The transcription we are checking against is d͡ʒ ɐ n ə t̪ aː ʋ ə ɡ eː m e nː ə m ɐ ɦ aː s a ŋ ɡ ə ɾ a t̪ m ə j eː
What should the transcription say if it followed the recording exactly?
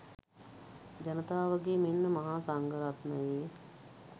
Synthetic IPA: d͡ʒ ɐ n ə t̪ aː ʋ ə ɡ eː m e nː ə m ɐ ɦ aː s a ŋ ɡ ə ɾ a t̪ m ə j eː